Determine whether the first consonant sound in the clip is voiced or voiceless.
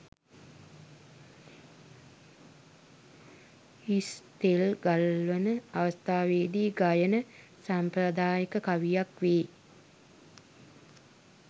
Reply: voiceless